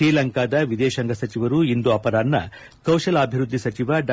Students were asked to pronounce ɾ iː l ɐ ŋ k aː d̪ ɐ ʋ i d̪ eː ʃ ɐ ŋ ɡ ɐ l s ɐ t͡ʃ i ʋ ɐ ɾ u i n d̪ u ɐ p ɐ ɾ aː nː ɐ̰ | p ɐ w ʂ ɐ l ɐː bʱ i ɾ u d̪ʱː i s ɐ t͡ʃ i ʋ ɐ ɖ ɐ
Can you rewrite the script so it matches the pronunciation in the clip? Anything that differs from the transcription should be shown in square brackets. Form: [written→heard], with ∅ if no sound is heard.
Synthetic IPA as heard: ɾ iː l ɐ ŋ k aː d̪ ɐ ʋ i d̪ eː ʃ ɐ ŋ ɡ ɐ [l→∅] s ɐ t͡ʃ i ʋ ɐ ɾ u i n d̪ u ɐ p ɐ ɾ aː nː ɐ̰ | [p→k] ɐ w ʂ ɐ l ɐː bʱ i ɾ u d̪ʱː i s ɐ t͡ʃ i ʋ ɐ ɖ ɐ